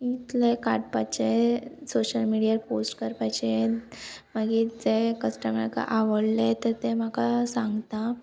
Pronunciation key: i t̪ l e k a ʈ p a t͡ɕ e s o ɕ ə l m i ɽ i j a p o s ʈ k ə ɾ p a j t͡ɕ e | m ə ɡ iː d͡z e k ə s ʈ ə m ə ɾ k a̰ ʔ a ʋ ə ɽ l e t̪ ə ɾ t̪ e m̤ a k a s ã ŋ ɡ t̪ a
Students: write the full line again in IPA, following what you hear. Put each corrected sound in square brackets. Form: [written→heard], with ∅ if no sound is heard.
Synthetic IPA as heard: i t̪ l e k a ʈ p a t͡ɕ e s o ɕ ə l m i ɽ i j a p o s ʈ k ə ɾ p a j t͡ɕ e | m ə ɡ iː d͡z e k ə s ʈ ə m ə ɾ k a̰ ʔ a ʋ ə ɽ l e t̪ ə ɾ t̪ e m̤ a k a s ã ŋ ɡ t̪ a